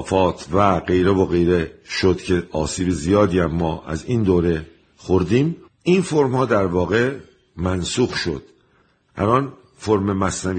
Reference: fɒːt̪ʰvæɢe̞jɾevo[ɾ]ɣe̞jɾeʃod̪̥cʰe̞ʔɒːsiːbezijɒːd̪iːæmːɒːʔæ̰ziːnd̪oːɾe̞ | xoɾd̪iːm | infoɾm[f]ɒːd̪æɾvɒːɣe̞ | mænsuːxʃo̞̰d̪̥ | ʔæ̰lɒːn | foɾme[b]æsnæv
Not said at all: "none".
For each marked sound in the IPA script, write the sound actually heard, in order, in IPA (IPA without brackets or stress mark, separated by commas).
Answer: none, h, m